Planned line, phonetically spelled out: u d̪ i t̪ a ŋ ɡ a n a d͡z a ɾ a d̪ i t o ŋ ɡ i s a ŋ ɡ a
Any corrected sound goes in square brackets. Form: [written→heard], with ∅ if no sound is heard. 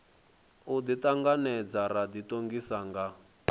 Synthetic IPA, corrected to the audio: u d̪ i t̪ a ŋ ɡ a n [a→ɛ] d͡z a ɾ a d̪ i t o ŋ ɡ i s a ŋ ɡ a